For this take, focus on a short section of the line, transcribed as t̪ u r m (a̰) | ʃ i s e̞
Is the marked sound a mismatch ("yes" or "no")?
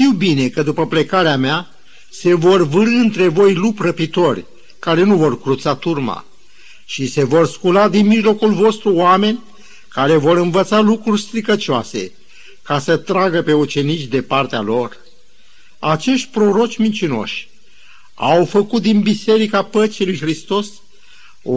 no